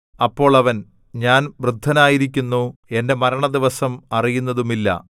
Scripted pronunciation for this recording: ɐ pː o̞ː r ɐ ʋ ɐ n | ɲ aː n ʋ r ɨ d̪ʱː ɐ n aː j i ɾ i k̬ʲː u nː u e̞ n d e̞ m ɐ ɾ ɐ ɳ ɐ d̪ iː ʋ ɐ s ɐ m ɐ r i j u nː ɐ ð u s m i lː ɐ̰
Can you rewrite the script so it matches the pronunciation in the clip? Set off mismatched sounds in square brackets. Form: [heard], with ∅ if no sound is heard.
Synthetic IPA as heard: ɐ pː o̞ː [ɭ] ɐ ʋ ɐ n | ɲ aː n ʋ r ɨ d̪ʱː ɐ n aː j i ɾ i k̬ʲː u nː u e̞ n d e̞ m ɐ ɾ ɐ ɳ ɐ d̪ [i] ʋ ɐ s ɐ m ɐ r i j u nː ɐ ð u [∅] m i lː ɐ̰